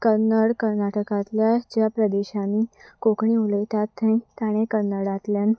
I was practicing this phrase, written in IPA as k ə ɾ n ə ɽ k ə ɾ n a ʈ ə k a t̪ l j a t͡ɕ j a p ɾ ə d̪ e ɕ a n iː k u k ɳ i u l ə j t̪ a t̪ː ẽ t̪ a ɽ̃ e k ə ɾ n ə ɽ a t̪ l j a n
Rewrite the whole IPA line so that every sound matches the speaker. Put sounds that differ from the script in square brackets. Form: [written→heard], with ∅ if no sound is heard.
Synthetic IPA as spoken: k ə ɾ n ə ɽ k ə ɾ n a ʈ ə k a t̪ l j a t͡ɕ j a p ɾ ə d̪ e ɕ a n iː k [u→o] k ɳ i u l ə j t̪ a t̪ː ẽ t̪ a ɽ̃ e k ə ɾ n ə ɽ a t̪ l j a n